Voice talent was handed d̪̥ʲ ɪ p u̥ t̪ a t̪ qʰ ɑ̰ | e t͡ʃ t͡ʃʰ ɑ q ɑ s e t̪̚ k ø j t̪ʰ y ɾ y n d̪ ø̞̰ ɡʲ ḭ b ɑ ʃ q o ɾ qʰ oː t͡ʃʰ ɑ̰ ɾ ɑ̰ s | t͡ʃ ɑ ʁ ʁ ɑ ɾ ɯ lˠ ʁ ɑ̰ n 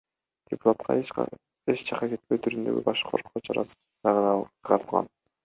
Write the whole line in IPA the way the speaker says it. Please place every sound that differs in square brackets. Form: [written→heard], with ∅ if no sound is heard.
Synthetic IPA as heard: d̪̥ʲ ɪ p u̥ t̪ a t̪ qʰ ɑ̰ | e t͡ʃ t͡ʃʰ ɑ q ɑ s e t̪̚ [k→p] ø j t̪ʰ y ɾ y n d̪ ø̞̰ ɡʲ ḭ b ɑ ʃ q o ɾ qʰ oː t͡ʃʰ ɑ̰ ɾ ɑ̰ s | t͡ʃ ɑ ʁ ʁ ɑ ɾ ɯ lˠ ʁ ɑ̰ n